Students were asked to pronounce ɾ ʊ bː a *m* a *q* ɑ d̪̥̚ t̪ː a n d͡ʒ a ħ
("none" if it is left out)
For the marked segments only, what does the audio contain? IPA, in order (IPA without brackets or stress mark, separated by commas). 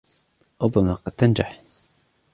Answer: m, q